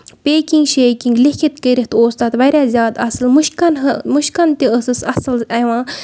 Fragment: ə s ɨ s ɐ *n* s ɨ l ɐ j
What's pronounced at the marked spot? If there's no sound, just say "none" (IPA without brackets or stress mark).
none